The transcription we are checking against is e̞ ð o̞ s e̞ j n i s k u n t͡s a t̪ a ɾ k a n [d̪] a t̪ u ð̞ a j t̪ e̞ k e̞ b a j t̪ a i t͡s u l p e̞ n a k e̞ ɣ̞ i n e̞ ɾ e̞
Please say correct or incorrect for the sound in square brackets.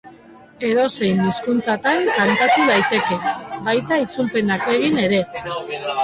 incorrect